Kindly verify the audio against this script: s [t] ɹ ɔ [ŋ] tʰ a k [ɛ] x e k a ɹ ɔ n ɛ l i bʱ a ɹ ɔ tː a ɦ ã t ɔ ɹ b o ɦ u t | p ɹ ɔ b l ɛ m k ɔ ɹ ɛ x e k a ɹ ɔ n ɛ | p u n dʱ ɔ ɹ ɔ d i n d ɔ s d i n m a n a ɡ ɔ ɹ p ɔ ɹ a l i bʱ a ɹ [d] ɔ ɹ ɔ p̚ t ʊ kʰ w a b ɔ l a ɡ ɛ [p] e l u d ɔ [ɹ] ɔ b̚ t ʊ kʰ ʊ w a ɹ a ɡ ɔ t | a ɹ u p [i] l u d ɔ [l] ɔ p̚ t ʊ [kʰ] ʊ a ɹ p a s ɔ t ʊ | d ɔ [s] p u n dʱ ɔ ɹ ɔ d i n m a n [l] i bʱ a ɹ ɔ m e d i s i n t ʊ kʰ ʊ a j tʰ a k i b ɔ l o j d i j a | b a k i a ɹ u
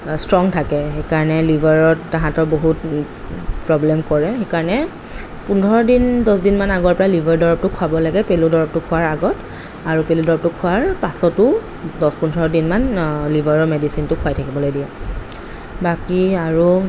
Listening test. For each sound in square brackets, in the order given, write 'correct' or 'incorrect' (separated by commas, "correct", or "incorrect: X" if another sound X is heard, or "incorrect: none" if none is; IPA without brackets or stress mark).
correct, correct, correct, correct, correct, correct, incorrect: e, incorrect: ɹ, correct, correct, correct